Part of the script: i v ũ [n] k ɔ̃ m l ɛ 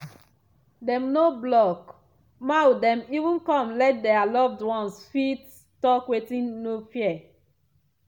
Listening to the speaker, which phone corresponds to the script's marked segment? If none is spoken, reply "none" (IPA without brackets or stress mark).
n